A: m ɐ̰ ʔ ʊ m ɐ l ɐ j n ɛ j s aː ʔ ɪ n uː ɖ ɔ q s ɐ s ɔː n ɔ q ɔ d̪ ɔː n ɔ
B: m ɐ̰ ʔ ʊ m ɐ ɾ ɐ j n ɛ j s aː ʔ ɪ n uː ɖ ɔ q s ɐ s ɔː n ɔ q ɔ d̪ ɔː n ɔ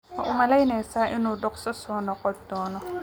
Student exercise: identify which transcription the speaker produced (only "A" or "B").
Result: A